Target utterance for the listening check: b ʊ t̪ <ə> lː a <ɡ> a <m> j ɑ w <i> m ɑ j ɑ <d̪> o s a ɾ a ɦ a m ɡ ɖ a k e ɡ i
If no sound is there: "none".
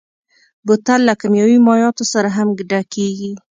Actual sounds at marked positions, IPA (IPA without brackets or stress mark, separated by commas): a, k, m, i, t̪